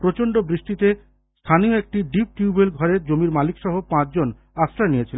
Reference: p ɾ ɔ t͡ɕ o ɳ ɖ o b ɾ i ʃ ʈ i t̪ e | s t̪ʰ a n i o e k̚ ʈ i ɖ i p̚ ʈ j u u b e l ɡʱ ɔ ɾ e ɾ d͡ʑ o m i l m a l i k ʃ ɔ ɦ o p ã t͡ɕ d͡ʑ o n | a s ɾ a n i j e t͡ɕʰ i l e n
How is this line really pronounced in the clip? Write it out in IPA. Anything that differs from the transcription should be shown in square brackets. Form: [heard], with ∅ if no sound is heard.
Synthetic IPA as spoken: p ɾ [o] t͡ɕ o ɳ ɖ o b ɾ i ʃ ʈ i t̪ e | s t̪ʰ a n i o e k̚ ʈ i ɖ i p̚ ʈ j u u b e l ɡʱ ɔ ɾ e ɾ d͡ʑ o m i [ɾ] m a l i k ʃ ɔ ɦ o p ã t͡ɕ d͡ʑ o n | a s ɾ a n i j e t͡ɕʰ i l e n

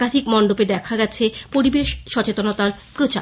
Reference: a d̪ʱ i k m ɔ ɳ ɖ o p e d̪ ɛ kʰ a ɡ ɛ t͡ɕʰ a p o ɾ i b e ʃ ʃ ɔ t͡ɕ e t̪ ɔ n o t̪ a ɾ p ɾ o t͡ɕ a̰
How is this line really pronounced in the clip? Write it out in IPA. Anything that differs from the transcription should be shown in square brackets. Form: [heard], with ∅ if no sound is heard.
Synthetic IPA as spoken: a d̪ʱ i k m ɔ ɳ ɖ o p e d̪ ɛ kʰ a ɡ ɛ t͡ɕʰ [e] p o ɾ i b e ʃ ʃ ɔ t͡ɕ e t̪ [o] n o t̪ a ɾ p ɾ o t͡ɕ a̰

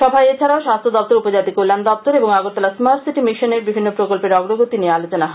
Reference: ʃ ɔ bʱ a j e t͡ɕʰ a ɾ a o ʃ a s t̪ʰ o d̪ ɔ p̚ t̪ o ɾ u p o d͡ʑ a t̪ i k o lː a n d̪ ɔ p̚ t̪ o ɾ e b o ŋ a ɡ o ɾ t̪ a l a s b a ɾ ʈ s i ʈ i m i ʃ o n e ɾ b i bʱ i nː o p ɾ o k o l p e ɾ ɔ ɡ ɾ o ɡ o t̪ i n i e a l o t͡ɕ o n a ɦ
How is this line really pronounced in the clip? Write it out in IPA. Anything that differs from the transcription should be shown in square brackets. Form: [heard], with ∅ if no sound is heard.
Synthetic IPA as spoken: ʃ ɔ bʱ a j e t͡ɕʰ a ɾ a o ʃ a s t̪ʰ o d̪ ɔ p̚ t̪ o ɾ u p o d͡ʑ a t̪ i k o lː a n d̪ ɔ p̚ t̪ o ɾ e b o ŋ a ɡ o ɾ t̪ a l a s [m] a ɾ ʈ s i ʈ i m i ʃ o n e ɾ b i bʱ i nː o p ɾ o k o l p e ɾ ɔ ɡ ɾ o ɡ o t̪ i n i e a l o t͡ɕ o n a ɦ

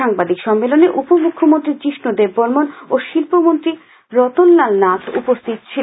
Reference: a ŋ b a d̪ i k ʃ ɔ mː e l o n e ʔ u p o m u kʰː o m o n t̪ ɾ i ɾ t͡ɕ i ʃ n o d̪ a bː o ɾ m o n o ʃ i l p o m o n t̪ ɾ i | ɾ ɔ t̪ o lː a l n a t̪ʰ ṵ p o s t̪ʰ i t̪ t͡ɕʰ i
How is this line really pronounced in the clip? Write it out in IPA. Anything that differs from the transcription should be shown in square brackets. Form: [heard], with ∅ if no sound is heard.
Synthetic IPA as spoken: a ŋ b a d̪ i k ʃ ɔ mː e l o n e ʔ u p o m u kʰː o m o n t̪ ɾ i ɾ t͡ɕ i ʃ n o d̪ [e] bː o ɾ m o n o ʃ i l p o m o n t̪ ɾ i | ɾ ɔ t̪ o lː a l n a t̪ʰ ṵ p o s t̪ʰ i t̪ t͡ɕʰ i

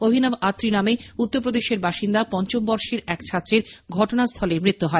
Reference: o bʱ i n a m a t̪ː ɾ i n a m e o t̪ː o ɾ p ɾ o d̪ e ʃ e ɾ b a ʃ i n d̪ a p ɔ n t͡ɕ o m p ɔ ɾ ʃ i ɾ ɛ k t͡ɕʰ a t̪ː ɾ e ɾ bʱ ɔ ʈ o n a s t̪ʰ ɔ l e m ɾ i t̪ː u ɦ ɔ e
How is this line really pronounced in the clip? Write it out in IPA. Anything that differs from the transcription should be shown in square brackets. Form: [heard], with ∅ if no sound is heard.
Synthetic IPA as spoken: o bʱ i n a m a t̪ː ɾ i n a m e [u] t̪ː o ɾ p ɾ o d̪ e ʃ e ɾ b a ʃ i n d̪ a p ɔ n t͡ɕ o m [b] ɔ ɾ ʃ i ɾ ɛ k t͡ɕʰ a t̪ː ɾ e ɾ [ɡʱ] ɔ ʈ o n a s t̪ʰ ɔ l e m ɾ i t̪ː u ɦ ɔ e

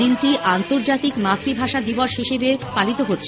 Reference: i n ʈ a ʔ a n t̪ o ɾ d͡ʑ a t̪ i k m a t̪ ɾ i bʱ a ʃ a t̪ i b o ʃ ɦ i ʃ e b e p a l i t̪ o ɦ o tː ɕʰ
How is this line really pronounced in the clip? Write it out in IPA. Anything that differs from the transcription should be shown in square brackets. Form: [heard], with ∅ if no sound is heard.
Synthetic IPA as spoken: i n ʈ [i] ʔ a n t̪ o ɾ d͡ʑ a t̪ i k m a t̪ ɾ i bʱ a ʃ a [d̪] i b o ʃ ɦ i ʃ e b e p a l i t̪ o ɦ o tː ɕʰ

